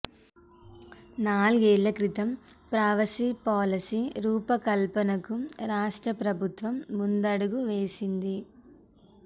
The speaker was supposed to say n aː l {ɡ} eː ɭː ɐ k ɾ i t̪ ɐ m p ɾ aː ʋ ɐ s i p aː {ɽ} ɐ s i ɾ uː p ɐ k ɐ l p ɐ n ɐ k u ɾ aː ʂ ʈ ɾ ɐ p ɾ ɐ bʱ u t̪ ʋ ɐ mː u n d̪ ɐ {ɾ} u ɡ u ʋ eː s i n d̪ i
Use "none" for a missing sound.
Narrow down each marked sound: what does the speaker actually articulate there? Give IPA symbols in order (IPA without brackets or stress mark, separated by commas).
ɡ, l, ɽ